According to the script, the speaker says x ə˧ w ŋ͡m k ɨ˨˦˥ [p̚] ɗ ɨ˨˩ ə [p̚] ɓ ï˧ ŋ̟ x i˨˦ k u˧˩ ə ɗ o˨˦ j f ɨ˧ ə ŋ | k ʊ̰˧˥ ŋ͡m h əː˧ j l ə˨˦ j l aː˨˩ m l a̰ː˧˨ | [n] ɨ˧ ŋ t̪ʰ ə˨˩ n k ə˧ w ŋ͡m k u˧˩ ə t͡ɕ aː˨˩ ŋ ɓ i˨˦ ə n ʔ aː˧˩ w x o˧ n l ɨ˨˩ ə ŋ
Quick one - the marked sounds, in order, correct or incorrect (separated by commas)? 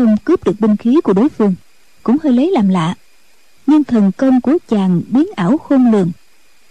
correct, incorrect, incorrect